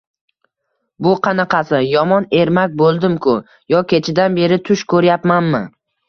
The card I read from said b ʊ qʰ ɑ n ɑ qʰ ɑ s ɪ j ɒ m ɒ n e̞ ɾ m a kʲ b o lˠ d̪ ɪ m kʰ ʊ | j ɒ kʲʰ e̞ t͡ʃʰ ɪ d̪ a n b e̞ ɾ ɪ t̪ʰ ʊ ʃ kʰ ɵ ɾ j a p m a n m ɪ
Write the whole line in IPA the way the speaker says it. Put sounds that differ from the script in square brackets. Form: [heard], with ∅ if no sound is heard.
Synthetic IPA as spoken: b ʊ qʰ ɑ n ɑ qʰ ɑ s ɪ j ɒ m ɒ n e̞ ɾ m a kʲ b o lˠ d̪ ɪ m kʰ ʊ | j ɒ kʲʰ e̞ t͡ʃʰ ɪ d̪ a n b e̞ ɾ ɪ t̪ʰ ʊ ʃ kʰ ɵ ɾ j a p m a n m ɪ